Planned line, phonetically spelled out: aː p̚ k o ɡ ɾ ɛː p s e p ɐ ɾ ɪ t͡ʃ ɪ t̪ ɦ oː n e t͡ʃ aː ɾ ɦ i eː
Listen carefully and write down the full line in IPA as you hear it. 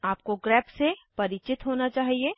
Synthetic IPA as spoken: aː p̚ k o ɡ ɾ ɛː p s e p ɐ ɾ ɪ t͡ʃ ɪ t̪ ɦ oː n a t͡ʃ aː ɦ i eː